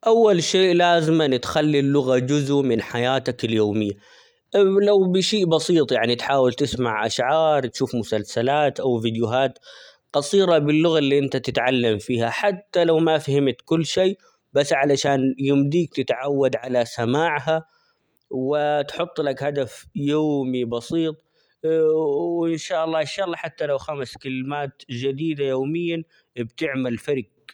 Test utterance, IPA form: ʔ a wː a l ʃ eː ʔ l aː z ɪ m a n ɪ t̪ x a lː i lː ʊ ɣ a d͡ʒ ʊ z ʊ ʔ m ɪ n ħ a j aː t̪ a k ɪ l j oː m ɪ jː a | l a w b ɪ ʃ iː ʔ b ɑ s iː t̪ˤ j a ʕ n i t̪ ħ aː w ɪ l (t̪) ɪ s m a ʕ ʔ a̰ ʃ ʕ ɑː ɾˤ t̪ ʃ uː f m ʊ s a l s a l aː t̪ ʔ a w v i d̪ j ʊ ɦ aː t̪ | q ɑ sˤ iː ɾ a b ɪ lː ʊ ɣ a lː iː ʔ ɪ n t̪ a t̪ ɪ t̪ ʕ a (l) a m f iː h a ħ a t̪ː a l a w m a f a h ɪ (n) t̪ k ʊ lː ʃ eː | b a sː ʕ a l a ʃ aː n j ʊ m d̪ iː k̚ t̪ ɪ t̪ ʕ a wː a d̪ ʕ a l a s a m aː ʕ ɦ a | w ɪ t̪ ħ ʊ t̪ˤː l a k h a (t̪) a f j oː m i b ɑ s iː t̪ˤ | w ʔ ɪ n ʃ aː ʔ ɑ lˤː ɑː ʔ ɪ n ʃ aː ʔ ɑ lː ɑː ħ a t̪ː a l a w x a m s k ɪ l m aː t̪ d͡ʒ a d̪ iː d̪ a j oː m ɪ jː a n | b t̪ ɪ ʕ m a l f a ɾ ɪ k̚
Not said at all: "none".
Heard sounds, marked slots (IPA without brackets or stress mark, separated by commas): t̪, lː, m, d̪